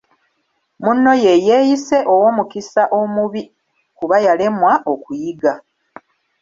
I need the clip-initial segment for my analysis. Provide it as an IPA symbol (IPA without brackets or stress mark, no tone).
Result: m